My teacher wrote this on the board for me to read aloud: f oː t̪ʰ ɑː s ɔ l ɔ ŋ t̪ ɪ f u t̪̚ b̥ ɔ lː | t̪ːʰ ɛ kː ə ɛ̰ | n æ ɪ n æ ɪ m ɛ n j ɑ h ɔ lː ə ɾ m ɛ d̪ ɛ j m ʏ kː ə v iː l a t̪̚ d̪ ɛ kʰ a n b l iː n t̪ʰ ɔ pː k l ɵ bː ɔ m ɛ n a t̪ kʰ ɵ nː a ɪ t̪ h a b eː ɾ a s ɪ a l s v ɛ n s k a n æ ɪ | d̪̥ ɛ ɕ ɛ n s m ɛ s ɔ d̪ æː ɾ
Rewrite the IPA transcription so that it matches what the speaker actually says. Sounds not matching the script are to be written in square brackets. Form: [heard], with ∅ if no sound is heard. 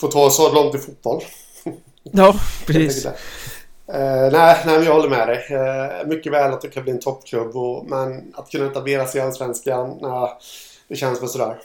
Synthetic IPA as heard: f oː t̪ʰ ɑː s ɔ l ɔ ŋ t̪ ɪ f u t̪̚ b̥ ɔ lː | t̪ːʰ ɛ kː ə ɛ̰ | n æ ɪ n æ ɪ m ɛ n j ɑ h ɔ lː ə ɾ m ɛ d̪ ɛ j m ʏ kː ə v [ɛː] l a t̪̚ d̪ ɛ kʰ a n b l iː n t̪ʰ ɔ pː [kʰ] l ɵ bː ɔ m ɛ n a t̪ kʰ ɵ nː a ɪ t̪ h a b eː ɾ a s ɪ a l s v ɛ n s k a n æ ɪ | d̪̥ ɛ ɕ ɛ n s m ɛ s ɔ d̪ æː ɾ